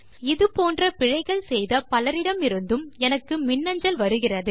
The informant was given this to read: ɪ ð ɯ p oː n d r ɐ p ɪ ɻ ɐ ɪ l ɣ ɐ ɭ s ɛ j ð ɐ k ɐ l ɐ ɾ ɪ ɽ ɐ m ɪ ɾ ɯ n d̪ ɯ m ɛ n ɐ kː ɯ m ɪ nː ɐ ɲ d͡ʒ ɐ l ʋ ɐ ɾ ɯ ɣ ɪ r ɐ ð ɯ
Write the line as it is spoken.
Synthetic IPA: ɪ ð ɯ p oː n d r ɐ p ɪ ɻ ɐ ɪ ɣ ɐ ɭ s ɛ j ð ɐ p ɐ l ɐ ɾ ɪ ɽ ɐ m ɪ ɾ ɯ n d̪ ɯ m ɛ n ɐ kː ɯ m ɪ nː ɐ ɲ d͡ʒ ɐ l ʋ ɐ ɾ ɯ ɣ ɪ r ɐ ð ɯ